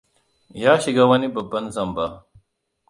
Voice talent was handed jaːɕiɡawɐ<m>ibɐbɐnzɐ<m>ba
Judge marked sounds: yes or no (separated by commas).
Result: no, yes